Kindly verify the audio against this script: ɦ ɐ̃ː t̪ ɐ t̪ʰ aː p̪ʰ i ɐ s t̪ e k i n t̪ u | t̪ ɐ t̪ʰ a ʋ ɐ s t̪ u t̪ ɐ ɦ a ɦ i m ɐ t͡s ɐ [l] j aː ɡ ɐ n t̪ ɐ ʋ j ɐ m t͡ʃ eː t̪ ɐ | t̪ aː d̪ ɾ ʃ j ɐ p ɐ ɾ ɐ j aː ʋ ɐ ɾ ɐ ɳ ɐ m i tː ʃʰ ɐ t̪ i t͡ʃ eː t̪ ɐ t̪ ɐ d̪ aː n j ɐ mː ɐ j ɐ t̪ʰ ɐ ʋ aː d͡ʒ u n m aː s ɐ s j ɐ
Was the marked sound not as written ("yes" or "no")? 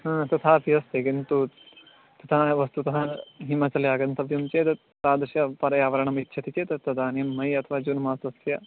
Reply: no